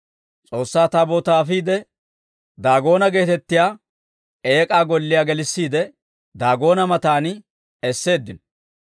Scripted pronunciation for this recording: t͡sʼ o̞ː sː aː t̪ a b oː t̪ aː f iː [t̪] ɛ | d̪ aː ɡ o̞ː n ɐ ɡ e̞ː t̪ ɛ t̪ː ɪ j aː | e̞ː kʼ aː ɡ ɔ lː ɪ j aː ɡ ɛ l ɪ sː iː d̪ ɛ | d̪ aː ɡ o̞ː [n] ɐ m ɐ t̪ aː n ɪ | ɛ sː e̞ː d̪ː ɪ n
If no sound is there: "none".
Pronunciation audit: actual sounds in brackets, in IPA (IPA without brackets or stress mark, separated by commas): d̪, n